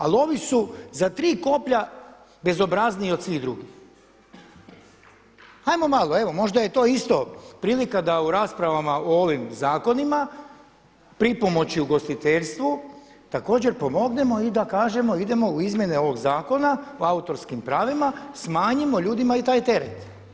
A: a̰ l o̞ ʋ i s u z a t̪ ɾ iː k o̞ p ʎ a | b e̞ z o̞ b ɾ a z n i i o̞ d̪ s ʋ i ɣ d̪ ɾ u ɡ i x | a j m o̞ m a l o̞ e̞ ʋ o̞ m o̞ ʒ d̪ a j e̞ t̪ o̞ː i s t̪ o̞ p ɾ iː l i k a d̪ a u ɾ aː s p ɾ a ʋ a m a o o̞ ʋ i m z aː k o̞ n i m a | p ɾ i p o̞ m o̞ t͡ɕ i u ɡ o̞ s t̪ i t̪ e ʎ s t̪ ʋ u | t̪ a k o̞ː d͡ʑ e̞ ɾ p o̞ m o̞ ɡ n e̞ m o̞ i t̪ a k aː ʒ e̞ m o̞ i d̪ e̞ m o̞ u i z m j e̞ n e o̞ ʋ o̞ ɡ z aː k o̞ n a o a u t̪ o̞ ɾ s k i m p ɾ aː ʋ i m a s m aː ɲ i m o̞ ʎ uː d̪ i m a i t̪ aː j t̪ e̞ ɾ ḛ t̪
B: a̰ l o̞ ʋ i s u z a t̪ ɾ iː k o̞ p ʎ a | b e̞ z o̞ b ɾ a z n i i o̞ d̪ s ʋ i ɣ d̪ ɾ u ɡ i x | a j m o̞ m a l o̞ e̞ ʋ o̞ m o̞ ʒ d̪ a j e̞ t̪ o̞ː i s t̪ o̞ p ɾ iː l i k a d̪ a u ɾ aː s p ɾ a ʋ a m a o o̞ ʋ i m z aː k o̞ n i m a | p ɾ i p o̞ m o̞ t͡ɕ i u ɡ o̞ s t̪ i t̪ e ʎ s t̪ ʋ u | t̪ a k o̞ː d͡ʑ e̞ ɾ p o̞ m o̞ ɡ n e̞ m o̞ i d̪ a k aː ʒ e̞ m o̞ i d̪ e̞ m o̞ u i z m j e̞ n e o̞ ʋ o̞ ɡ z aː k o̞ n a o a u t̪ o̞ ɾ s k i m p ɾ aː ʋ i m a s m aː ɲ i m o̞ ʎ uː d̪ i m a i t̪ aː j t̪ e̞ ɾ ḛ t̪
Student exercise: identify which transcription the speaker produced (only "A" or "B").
B